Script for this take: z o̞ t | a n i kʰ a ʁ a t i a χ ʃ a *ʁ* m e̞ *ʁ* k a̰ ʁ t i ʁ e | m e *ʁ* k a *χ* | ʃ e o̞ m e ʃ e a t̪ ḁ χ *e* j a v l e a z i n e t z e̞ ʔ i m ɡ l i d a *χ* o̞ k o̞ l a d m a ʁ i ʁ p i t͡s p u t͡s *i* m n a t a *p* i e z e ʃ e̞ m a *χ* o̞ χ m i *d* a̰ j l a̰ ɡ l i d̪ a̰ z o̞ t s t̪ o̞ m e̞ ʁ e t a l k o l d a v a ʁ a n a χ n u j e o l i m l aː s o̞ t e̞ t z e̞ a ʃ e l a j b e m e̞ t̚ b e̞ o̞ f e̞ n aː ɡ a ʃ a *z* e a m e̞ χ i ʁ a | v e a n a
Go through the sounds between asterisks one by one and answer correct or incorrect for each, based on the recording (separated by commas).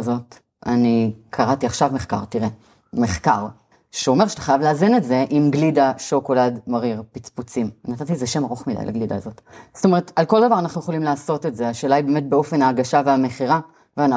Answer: incorrect, incorrect, incorrect, incorrect, incorrect, incorrect, correct, incorrect, incorrect, correct, incorrect